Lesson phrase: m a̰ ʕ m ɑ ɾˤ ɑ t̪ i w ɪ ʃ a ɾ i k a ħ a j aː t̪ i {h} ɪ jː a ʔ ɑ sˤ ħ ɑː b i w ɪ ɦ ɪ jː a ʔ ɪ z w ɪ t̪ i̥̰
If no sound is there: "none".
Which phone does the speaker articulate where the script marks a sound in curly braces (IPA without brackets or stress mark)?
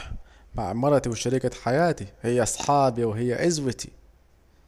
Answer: h